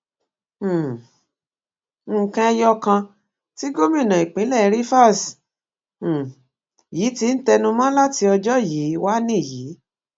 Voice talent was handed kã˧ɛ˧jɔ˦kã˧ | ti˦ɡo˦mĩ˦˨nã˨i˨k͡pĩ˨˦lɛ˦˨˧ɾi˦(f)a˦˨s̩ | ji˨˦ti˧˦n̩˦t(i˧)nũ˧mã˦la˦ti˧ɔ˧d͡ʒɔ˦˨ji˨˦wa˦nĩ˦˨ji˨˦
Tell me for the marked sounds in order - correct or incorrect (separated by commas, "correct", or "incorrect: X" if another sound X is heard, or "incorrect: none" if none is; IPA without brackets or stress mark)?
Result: correct, incorrect: ɛ˧